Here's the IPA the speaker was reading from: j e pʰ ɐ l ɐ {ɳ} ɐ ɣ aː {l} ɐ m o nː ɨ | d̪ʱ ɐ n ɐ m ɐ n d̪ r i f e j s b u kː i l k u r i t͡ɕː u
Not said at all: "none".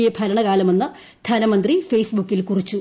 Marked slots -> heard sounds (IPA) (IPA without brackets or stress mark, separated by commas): ɳ, l